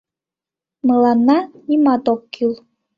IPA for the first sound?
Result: m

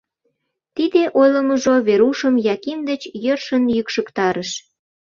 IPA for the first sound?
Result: t̪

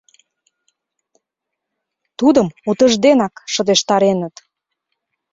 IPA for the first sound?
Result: t̪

